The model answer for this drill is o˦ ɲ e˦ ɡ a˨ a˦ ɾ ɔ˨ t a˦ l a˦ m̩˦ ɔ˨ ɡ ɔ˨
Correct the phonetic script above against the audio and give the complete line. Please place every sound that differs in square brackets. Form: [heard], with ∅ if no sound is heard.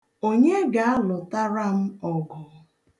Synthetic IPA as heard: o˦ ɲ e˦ ɡ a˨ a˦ [l] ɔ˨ t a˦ [ɾ] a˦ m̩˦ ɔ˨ ɡ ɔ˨